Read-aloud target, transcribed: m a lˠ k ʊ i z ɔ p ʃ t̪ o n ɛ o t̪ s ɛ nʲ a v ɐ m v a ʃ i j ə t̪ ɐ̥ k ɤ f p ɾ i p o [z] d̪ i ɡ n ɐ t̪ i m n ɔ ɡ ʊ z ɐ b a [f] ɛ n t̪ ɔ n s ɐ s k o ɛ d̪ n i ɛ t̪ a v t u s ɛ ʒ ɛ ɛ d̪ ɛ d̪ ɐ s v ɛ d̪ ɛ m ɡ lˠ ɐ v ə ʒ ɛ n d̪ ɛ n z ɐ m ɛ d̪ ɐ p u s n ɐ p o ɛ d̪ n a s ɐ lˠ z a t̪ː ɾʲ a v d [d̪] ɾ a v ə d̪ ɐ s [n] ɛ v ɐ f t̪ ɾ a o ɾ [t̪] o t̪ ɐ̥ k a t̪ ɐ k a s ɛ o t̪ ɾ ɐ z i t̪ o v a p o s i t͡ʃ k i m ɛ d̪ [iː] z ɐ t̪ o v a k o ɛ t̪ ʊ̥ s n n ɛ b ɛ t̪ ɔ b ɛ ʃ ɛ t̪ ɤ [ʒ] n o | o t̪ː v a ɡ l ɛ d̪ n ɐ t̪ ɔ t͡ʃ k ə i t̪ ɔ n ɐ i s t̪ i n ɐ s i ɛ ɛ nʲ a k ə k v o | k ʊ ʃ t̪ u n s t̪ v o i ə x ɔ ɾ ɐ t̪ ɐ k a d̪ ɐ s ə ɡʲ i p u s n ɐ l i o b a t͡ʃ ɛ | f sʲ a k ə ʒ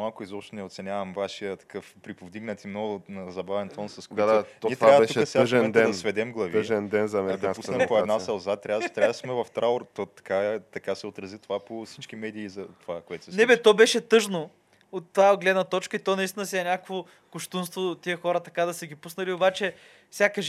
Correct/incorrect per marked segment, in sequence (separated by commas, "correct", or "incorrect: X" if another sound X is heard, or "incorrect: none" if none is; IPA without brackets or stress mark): incorrect: v, incorrect: v, incorrect: t̪, incorrect: m, correct, correct, correct